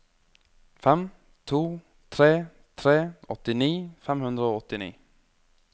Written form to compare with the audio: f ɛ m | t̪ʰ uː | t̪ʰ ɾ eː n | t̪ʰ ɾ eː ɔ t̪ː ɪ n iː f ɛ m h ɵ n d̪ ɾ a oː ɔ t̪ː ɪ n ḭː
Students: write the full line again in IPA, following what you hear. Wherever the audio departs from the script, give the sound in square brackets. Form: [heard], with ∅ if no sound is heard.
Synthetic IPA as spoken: f ɛ m | t̪ʰ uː | t̪ʰ ɾ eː [∅] | t̪ʰ ɾ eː ɔ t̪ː ɪ n iː f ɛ m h ɵ n d̪ ɾ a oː ɔ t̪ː ɪ n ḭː